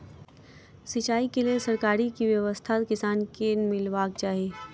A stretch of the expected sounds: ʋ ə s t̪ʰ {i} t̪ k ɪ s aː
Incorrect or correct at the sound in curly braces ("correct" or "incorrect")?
incorrect